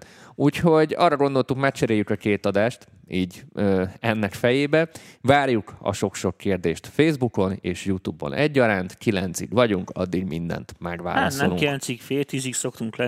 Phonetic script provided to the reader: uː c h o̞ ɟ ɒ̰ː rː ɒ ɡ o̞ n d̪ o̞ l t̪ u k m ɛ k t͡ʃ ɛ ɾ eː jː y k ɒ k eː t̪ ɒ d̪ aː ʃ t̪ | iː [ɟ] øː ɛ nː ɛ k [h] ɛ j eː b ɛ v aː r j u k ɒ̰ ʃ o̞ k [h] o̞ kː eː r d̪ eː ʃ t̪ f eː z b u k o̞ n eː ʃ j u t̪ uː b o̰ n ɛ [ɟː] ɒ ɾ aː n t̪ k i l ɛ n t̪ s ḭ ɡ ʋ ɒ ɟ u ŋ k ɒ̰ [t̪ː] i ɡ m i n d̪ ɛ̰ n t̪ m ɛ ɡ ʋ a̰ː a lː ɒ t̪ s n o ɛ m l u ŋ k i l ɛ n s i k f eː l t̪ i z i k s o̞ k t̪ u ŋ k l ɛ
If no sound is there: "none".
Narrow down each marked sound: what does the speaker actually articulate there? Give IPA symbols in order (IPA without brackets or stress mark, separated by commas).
ɟ, f, ʃ, ɟː, d̪ː